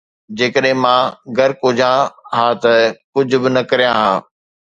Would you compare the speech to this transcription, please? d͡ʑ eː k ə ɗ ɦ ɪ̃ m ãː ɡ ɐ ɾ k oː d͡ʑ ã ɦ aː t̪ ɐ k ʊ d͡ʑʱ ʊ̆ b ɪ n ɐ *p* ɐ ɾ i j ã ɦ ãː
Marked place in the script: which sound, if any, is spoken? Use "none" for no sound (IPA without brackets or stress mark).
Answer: k